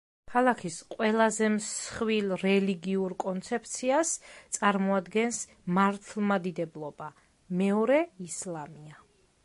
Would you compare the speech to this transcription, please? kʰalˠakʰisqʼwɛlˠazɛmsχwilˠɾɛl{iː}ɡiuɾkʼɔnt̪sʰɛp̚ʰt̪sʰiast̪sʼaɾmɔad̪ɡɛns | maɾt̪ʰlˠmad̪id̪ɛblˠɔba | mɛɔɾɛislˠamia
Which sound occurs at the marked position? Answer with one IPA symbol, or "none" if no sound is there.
i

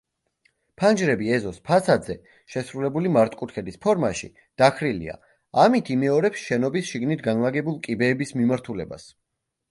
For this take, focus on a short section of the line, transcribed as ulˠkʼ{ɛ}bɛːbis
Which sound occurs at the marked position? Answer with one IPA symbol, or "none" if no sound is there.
i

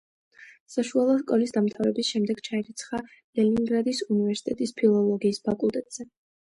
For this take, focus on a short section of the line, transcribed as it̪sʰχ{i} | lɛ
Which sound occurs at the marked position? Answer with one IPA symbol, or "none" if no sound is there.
a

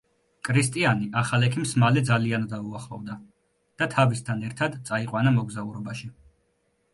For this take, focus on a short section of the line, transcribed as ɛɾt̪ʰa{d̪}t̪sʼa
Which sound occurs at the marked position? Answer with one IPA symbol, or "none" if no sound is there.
d̪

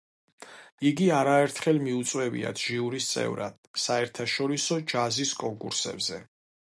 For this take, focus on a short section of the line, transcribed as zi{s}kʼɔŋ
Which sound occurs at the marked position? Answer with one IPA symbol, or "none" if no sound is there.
s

